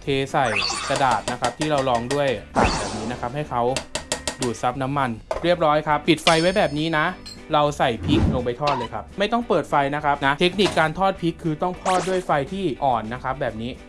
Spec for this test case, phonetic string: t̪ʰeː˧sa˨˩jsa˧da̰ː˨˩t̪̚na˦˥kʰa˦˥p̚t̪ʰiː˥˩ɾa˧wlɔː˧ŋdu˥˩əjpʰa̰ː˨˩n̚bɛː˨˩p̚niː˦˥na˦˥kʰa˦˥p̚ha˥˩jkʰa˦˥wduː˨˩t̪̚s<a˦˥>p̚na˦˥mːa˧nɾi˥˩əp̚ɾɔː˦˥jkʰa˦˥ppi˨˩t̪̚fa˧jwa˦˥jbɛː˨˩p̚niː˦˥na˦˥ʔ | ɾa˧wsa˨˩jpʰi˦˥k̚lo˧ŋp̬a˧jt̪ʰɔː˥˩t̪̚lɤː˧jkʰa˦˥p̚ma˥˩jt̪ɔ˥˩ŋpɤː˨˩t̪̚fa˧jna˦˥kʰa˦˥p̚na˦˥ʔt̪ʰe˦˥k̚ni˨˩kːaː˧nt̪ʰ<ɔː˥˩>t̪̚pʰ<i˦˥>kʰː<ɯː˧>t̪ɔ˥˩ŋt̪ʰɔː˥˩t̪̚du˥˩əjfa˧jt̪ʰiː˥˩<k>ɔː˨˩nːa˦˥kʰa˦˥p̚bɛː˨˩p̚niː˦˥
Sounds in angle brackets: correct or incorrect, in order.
correct, correct, correct, correct, incorrect: ʔ

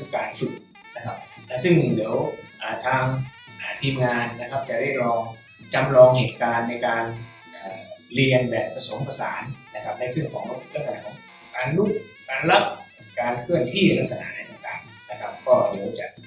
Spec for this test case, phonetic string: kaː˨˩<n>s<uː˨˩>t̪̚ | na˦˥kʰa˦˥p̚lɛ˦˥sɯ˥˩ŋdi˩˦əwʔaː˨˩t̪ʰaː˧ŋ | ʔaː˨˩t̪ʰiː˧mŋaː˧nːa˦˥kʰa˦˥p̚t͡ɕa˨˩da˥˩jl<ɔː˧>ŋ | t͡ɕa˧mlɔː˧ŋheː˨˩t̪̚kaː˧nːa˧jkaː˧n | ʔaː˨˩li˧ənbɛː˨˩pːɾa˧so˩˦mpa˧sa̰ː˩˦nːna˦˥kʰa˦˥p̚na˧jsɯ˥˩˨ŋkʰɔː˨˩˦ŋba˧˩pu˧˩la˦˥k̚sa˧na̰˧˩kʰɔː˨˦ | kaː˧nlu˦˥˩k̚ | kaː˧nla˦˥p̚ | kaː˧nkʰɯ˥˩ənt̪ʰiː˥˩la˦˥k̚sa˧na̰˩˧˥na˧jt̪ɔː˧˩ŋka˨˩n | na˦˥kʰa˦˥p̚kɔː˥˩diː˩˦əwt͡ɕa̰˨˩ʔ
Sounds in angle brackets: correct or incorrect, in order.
correct, incorrect: u˨˩, correct

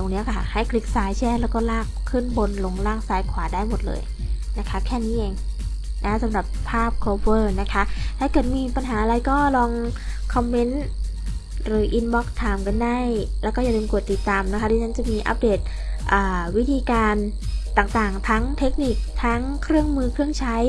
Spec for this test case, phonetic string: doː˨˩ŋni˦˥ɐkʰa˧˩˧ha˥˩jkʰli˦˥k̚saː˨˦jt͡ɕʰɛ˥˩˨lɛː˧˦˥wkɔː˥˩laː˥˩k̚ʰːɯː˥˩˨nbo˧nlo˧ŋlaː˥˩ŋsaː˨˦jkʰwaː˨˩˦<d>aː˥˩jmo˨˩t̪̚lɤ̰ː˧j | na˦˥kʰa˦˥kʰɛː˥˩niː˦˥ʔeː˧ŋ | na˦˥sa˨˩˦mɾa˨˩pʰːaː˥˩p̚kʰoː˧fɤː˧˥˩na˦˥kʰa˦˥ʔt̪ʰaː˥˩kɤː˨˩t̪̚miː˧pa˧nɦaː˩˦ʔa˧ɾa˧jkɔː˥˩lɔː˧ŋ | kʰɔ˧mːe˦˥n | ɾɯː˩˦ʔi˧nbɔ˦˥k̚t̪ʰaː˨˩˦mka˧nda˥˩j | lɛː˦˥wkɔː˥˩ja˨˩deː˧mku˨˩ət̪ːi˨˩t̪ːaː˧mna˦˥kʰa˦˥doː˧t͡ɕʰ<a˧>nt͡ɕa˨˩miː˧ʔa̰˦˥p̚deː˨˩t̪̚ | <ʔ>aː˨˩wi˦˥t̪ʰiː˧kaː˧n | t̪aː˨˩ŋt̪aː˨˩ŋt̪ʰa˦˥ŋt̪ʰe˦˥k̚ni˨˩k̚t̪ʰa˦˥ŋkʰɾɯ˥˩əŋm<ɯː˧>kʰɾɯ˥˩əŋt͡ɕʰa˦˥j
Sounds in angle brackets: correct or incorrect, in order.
correct, incorrect: a˦˥, correct, correct

